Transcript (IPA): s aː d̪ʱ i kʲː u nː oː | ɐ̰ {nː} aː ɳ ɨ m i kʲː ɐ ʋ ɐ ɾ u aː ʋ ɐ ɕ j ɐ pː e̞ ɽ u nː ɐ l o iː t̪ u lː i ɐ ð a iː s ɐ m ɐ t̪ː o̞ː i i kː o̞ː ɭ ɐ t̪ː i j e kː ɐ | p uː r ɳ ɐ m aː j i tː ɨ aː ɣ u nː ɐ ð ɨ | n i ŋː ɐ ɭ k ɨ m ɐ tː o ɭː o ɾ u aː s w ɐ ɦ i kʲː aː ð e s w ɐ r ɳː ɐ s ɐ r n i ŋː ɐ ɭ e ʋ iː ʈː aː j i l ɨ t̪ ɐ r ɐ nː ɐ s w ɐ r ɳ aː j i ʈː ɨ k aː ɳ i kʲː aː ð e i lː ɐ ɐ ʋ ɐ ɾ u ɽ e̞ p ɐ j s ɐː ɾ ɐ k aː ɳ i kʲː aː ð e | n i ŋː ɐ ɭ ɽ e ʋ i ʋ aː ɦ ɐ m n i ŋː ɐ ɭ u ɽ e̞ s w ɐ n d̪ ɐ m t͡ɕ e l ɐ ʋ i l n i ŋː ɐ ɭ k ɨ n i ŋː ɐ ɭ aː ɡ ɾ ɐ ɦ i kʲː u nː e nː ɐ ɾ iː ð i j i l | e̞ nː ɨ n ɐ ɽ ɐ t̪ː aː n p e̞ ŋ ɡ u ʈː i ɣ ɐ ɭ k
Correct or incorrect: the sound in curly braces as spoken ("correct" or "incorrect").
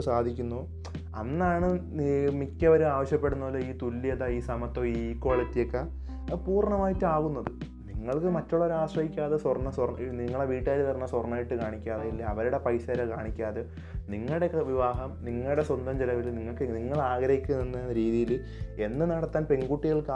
correct